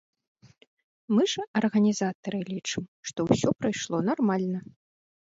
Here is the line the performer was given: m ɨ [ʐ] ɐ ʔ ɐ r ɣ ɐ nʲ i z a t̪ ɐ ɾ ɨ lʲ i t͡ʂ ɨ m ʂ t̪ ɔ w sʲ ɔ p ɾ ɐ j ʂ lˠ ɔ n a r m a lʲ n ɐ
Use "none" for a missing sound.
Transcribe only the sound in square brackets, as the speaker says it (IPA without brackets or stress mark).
ʐ